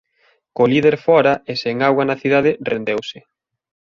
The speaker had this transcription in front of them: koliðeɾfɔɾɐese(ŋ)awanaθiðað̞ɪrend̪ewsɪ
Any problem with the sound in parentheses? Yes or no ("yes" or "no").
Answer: no